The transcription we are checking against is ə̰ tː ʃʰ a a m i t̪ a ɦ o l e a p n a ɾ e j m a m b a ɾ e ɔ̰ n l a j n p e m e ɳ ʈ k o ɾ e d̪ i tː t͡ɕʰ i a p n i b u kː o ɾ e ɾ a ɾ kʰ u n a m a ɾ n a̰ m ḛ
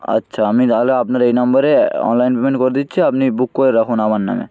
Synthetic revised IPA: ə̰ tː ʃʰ a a m i t̪ a ɦ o l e a p n a ɾ e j n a m b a ɾ e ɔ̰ n l a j n p e m e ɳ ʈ k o ɾ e d̪ i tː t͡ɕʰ i a p n i b u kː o ɾ e ɾ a kʰ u n a m a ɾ n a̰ m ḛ